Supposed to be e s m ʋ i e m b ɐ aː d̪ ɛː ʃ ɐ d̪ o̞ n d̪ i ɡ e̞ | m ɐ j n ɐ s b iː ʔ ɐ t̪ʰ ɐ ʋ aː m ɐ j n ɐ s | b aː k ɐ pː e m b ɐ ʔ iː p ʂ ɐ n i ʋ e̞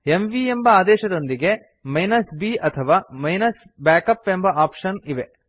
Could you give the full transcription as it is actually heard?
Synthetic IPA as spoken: e m ʋ i e m b ɐ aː d̪ ɛː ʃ ɐ d̪ o̞ n d̪ i ɡ e̞ | m ɐ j n ɐ s b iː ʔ ɐ t̪ʰ ɐ ʋ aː m ɐ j n ɐ s | b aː k ɐ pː e m b ɐ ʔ aː p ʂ ɐ n i ʋ e̞